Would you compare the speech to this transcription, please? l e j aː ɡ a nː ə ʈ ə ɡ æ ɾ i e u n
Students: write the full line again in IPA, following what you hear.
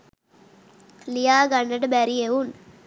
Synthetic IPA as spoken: l i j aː ɡ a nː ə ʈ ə b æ ɾ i e u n

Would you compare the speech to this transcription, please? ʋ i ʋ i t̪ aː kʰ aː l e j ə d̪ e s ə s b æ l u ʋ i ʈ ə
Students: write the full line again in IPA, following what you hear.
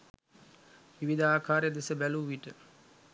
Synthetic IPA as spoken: ʋ i ʋ i d̪ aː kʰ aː ɾ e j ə d̪ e s ə b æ l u ʋ i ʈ ə

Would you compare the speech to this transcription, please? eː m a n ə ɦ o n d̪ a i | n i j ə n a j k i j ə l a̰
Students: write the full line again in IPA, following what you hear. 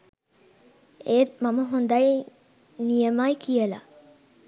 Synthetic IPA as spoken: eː m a m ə ɦ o n d̪ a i | n i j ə m a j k i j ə l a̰

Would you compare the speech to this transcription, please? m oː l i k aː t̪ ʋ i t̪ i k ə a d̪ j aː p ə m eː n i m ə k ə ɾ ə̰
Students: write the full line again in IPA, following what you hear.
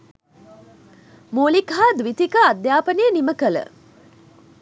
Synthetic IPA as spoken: m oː l i k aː d̪ ʋ i t̪ i k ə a d̪ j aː p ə n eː n i m ə k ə l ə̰

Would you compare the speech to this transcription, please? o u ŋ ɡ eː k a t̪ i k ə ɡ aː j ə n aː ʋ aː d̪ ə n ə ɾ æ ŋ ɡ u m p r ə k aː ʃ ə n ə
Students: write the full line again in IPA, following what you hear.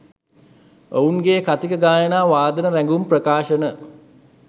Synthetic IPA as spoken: o u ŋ ɡ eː k a t̪ i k ə ɡ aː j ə n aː ʋ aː d̪ ə n ə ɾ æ ŋ ɡ u m p r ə k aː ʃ ə n ə

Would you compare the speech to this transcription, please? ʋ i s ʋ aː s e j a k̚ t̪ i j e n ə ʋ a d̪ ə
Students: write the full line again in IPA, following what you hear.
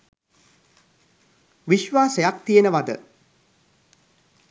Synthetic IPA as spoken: ʋ i ʃ ʋ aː s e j a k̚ t̪ i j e n ə ʋ a d̪ ə

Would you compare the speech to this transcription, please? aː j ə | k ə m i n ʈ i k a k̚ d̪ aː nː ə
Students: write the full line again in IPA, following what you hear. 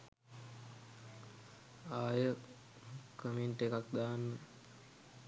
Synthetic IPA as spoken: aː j ə | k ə m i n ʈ e k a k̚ d̪ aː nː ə

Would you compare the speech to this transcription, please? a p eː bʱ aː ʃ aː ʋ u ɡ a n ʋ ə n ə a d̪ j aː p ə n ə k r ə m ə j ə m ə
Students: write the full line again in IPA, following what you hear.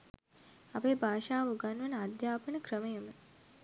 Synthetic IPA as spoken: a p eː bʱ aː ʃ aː ʋ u ɡ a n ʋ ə n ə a d̪ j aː p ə n ə k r ə m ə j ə m ə

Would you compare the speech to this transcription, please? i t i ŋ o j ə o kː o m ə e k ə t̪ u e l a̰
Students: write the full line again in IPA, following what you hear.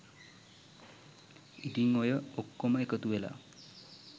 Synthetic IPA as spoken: i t i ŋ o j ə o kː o m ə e k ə t̪ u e l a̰

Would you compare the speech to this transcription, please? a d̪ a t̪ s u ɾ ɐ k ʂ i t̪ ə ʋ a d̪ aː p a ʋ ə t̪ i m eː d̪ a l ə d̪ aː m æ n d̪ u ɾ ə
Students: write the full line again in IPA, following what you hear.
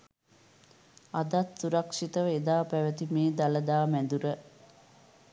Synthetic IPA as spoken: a d̪ a t̪ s u ɾ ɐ k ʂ i t̪ ə ʋ e d̪ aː p æ ʋ ə t̪ i m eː d̪ a l ə d̪ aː m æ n d̪ u ɾ ə

